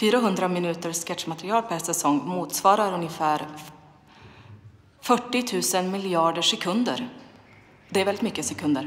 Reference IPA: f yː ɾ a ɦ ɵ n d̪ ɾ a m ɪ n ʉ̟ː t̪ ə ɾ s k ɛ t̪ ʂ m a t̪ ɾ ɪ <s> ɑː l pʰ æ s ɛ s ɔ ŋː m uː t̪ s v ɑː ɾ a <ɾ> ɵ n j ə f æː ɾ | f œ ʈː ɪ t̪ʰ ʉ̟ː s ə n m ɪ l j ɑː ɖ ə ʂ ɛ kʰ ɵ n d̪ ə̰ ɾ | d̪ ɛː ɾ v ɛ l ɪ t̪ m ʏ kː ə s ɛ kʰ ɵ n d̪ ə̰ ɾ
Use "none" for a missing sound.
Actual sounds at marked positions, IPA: none, ɾ

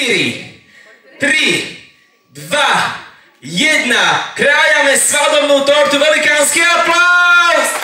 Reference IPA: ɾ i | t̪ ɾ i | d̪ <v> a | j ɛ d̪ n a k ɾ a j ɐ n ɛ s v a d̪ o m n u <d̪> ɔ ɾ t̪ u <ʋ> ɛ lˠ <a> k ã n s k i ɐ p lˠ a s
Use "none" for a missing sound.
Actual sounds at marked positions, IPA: v, t̪, v, i

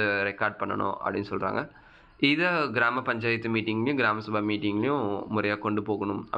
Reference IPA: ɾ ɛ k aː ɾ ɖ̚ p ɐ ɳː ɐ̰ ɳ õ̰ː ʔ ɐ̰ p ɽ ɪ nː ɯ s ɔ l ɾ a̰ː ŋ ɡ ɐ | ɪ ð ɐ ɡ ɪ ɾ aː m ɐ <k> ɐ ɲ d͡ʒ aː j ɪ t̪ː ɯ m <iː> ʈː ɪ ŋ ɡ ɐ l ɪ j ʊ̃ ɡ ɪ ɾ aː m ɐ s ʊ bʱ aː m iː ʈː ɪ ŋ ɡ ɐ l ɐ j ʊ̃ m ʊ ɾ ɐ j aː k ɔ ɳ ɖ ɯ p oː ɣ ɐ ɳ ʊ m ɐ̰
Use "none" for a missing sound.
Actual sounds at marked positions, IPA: p, iː

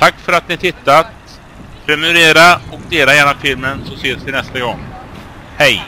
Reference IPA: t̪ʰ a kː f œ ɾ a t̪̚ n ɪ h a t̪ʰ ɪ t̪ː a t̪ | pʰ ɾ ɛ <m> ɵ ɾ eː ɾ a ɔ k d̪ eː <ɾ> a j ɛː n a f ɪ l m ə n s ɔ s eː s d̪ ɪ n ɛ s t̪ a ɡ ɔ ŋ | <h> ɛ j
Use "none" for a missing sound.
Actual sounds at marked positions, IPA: m, l, h

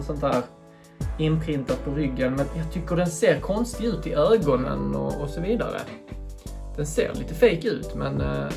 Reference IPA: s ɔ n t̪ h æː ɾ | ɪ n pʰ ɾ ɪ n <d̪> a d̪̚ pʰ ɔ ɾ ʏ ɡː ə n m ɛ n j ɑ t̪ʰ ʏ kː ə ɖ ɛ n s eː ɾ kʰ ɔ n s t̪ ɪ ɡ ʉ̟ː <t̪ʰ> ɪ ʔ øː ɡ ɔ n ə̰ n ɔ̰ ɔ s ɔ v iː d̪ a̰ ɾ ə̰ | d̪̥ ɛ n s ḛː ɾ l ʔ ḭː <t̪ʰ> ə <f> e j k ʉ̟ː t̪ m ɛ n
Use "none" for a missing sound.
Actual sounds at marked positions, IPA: t̪, t̪, t̪, f

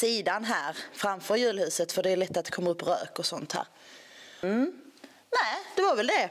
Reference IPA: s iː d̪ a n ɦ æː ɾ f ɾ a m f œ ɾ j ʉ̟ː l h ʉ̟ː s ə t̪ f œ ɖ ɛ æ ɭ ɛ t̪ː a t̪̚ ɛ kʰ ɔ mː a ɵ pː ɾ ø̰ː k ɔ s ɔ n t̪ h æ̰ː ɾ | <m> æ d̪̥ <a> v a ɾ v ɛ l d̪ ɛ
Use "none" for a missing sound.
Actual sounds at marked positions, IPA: n, ɛ

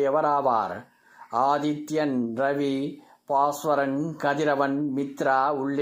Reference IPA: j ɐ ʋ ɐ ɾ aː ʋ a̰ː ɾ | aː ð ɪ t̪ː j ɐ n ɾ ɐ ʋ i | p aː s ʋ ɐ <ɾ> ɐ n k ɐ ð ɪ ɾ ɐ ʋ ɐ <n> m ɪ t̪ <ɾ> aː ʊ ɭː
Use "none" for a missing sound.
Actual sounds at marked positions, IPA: ɾ, n, ɾ

